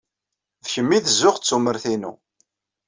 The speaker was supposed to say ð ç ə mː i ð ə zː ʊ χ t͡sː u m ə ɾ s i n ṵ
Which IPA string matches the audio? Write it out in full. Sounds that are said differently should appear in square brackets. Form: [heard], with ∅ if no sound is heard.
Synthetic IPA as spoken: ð ç ə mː i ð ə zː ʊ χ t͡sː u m ə ɾ [θ] i n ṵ